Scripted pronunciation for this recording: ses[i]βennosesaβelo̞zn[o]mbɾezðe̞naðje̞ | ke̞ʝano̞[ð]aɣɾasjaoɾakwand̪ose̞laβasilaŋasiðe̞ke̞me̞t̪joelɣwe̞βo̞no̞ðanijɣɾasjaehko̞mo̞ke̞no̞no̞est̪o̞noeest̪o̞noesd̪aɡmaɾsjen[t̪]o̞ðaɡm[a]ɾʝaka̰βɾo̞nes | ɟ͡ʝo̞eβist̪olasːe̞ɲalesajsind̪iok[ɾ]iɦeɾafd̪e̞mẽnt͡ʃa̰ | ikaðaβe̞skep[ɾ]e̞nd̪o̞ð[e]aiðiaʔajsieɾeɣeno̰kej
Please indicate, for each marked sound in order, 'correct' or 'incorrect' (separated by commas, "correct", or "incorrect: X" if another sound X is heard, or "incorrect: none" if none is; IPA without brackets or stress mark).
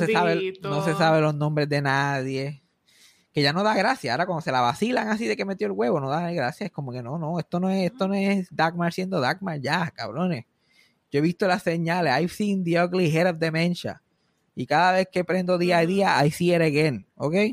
incorrect: a, incorrect: õ, correct, incorrect: d̪, correct, incorrect: l, correct, incorrect: i